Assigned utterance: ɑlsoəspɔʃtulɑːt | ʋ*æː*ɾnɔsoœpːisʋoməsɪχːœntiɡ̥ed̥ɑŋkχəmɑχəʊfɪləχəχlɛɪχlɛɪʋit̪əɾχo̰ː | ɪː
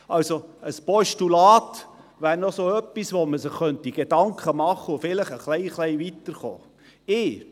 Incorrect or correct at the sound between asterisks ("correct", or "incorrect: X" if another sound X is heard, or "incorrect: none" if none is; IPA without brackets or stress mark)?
correct